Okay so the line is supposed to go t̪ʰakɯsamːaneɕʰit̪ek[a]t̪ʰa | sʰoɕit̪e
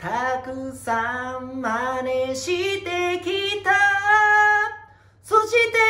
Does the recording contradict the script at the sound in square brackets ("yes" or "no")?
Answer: yes